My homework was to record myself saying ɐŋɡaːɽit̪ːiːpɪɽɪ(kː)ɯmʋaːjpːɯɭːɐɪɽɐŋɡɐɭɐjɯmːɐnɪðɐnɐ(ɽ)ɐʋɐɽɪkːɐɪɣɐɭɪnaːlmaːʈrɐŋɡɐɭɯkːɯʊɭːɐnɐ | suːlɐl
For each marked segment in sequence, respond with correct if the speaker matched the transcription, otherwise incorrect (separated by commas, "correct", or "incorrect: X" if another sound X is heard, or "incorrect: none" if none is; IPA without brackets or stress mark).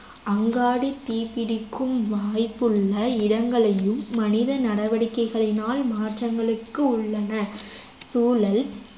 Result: correct, correct